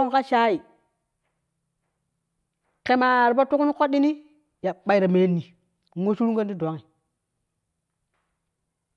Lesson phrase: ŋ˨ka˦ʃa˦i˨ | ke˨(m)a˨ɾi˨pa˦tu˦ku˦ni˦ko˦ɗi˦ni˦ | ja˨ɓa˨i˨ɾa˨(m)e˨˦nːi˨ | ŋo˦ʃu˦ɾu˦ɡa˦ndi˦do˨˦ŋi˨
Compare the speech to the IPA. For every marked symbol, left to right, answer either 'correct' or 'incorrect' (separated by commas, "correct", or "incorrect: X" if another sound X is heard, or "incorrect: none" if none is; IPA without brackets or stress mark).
correct, correct